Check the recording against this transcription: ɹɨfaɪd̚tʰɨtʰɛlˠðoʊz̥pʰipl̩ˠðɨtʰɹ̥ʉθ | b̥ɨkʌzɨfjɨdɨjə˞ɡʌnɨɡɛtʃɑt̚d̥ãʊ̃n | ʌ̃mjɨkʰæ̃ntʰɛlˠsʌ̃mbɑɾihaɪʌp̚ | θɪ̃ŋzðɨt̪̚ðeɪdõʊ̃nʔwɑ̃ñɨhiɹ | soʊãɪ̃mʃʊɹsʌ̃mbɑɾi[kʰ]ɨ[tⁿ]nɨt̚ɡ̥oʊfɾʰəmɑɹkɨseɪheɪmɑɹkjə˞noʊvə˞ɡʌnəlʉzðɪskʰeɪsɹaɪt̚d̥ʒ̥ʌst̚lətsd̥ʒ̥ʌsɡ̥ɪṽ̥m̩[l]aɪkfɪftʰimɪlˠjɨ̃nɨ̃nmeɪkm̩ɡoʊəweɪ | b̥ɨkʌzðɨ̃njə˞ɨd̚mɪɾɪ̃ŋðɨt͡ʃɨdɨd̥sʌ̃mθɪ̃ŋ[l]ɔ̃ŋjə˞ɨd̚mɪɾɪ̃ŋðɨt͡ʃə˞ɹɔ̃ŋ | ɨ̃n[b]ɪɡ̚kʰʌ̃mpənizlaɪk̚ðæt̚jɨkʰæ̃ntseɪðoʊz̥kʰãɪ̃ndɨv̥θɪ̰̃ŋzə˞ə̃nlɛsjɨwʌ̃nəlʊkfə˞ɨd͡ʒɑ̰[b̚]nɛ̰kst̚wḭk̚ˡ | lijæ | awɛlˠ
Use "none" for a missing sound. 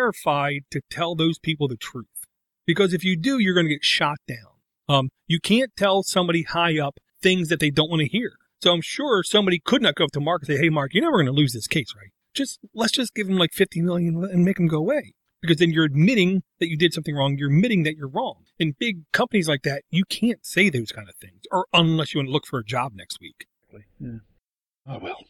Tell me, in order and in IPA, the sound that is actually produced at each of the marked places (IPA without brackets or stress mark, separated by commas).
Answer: kʰ, dⁿ, l, ɹ, b, b̚